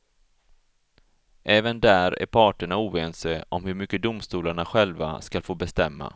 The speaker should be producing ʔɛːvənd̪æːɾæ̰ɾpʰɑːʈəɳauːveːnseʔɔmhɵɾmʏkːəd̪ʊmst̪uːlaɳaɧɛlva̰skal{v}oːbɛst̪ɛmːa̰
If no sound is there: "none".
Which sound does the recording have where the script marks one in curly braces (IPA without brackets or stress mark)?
f